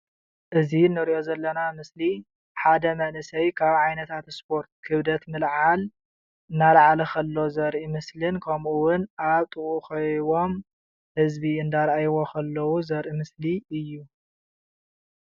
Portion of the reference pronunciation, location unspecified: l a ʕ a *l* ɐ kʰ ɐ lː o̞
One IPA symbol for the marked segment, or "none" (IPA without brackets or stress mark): l